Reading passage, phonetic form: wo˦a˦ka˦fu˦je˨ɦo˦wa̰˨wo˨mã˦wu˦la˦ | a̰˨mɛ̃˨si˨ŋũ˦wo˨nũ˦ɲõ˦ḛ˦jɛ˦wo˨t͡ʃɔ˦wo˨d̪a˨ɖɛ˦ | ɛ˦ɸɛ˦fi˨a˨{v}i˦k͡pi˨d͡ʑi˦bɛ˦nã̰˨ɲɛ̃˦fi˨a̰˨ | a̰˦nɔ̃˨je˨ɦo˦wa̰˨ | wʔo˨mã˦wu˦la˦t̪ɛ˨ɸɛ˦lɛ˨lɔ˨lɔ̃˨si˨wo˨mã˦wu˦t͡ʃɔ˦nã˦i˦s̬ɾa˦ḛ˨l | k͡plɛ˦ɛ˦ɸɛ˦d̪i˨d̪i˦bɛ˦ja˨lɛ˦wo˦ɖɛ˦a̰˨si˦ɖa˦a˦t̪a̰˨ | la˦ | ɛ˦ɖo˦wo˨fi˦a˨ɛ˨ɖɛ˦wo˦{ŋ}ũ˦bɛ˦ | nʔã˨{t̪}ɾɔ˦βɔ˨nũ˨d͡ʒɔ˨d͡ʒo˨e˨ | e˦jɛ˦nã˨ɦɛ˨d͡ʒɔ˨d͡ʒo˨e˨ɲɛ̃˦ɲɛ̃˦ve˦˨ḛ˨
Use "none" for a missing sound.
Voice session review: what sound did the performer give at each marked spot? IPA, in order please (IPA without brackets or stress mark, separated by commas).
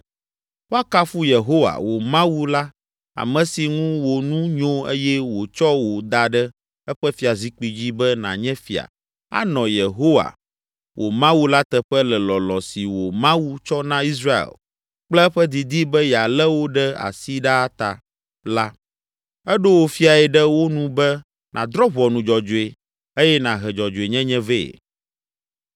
z, n, d̪